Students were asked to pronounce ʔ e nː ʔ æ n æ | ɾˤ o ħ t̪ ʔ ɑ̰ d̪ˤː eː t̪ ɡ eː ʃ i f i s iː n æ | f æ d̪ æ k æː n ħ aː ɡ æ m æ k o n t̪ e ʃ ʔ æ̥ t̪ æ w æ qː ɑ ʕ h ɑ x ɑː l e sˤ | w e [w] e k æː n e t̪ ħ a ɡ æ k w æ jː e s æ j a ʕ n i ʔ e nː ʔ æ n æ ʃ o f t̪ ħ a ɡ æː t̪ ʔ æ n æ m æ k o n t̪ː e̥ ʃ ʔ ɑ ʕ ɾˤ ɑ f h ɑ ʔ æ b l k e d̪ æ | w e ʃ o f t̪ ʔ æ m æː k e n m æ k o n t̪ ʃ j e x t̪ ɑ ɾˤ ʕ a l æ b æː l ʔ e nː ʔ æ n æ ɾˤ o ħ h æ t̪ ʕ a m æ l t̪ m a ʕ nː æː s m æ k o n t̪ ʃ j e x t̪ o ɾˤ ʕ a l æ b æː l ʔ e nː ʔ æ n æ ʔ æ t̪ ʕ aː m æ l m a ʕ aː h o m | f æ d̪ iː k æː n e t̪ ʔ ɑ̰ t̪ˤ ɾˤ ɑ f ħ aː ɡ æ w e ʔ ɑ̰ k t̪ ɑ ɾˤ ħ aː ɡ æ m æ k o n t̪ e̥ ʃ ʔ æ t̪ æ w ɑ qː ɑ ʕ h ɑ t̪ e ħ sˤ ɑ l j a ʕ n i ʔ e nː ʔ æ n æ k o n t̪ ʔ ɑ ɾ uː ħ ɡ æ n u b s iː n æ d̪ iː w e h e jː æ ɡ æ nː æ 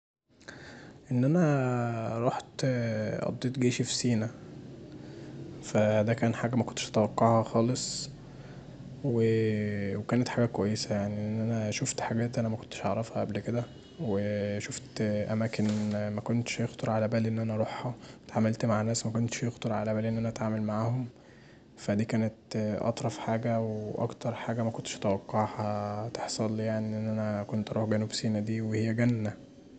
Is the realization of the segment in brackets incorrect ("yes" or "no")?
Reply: no